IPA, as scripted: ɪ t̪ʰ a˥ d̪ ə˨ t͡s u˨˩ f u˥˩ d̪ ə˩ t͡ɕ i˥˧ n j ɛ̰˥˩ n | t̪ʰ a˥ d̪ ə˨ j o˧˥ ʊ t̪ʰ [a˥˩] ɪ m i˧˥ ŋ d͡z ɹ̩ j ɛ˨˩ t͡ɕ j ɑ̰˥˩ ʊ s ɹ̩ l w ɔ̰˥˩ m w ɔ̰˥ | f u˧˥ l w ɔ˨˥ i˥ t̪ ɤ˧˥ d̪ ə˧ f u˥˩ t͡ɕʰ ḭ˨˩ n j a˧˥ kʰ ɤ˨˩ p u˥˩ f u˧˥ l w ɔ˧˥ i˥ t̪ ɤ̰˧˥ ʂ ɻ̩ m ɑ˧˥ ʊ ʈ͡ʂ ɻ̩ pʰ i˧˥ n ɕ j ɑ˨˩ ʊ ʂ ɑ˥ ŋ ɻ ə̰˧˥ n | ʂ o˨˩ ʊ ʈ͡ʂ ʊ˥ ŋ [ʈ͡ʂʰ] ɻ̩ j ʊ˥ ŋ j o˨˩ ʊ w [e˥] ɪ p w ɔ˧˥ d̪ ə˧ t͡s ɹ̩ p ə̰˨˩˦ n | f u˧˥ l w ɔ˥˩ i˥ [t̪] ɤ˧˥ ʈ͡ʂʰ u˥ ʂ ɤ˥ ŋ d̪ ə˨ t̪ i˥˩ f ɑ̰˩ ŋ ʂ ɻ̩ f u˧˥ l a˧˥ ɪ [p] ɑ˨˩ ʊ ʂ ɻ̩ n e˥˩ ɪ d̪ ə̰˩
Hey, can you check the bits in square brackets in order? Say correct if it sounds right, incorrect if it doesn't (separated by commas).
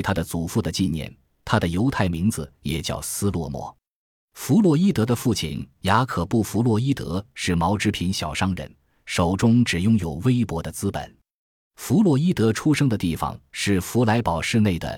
correct, incorrect, correct, correct, correct